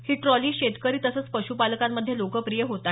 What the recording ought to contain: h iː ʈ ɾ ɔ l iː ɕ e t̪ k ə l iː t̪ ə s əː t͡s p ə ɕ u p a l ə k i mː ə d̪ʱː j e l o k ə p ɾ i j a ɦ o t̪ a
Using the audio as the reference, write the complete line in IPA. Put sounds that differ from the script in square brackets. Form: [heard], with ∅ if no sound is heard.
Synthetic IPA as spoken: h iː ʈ ɾ ɔ l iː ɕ e t̪ k ə [ɾ] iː t̪ ə s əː t͡s p ə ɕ u p a l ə k [a] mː ə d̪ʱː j e l o k ə p ɾ i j [ə] ɦ o t̪ a